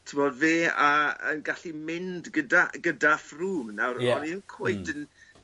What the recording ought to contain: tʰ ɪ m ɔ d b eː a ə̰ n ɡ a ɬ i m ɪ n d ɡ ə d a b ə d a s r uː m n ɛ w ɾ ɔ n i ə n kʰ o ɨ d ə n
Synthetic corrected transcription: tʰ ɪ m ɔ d v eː a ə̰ n ɡ a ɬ i m ɪ n d ɡ ə d a ɡ ə d a f r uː m n a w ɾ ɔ n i ə n kʰ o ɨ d ə n